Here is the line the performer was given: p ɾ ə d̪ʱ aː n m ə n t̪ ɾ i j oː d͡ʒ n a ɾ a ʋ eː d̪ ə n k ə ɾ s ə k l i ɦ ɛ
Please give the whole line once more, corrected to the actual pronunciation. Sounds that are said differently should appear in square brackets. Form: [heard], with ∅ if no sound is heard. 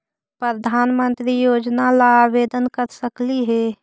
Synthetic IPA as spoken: p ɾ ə d̪ʱ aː n m ə n t̪ ɾ i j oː d͡ʒ n a [l] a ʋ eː d̪ ə n k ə ɾ s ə k l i ɦ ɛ